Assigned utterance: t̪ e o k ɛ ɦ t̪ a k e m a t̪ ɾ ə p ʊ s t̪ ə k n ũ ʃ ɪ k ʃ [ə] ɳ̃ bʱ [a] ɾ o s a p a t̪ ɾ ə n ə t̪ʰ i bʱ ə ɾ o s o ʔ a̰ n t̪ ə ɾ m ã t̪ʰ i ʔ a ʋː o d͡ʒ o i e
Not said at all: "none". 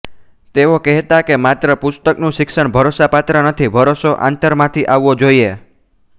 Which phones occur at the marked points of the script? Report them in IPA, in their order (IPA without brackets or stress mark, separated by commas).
ə, ə